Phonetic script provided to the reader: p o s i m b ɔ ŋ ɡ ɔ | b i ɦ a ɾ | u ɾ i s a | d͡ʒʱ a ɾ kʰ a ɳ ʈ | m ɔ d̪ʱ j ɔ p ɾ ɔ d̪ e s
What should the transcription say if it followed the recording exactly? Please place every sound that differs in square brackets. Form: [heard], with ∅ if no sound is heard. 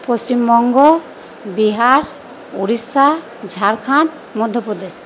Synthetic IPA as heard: p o s i m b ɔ ŋ ɡ ɔ | b i ɦ a ɾ | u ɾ i s a | d͡ʒʱ a ɾ kʰ a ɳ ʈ | m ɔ d̪ʱ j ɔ p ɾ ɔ d̪ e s